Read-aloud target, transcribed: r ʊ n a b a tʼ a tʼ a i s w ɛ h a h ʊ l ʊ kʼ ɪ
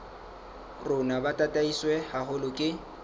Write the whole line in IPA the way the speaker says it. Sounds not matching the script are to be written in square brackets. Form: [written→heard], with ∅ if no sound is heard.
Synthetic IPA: r ʊ n a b a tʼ a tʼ a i s w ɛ h a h ʊ l ʊ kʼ ɪ

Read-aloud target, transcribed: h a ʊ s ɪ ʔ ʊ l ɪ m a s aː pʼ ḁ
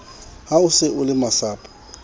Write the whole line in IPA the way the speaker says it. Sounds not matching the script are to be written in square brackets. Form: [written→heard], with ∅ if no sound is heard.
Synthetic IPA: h a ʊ s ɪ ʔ ʊ l ɪ m a s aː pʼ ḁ

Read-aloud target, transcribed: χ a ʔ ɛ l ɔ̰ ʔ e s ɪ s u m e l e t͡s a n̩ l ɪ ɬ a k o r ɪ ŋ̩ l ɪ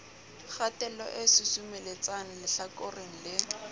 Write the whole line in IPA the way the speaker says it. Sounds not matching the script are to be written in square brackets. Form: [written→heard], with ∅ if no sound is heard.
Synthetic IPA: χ a [ʔ→t] ɛ l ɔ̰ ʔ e s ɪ s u m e l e t͡s a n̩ l ɪ ɬ a k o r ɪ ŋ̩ l ɪ

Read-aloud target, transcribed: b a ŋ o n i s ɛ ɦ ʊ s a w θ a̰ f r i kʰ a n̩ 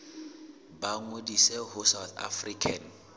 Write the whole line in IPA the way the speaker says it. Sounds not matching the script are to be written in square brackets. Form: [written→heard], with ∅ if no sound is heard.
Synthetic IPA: b a ŋ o [n→d] i s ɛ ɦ ʊ s a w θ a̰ f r i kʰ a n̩

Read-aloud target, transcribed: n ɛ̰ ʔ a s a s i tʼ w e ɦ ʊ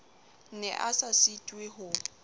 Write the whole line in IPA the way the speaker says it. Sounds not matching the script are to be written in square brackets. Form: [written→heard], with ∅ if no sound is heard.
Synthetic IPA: n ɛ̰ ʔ a s a s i tʼ w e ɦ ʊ

